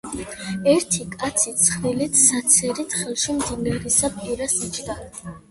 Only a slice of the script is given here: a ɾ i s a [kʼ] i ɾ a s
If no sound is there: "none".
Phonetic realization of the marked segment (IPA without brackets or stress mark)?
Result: pʼ